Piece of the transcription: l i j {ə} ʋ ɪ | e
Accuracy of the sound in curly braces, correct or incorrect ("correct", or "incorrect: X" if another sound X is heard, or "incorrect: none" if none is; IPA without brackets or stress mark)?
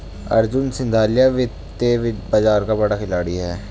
incorrect: a